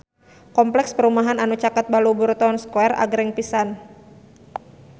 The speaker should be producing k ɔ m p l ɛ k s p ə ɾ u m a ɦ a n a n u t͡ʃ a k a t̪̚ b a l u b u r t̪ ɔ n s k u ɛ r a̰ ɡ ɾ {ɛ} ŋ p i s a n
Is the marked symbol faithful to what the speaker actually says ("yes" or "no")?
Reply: yes